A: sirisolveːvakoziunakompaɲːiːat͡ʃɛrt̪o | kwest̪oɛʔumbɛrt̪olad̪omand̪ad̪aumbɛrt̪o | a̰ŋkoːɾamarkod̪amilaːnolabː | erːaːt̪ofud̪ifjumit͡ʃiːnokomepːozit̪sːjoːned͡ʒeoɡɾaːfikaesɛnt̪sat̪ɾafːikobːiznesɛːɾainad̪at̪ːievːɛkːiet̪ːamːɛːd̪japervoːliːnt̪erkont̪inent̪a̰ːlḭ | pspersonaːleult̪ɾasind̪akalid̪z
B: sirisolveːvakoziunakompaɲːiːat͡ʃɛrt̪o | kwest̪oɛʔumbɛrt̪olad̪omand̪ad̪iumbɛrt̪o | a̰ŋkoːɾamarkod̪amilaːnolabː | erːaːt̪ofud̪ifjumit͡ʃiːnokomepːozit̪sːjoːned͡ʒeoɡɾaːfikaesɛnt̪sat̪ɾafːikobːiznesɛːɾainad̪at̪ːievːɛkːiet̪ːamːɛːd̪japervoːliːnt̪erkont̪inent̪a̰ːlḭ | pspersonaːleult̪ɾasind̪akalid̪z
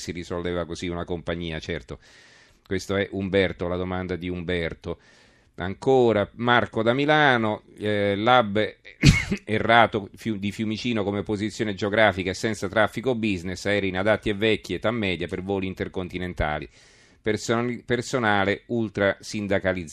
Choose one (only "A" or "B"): B